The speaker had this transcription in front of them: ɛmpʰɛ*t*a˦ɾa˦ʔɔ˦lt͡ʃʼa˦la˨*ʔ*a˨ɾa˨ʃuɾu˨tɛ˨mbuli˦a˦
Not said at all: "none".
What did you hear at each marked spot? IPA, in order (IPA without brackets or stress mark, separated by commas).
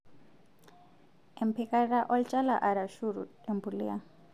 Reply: k, ʔ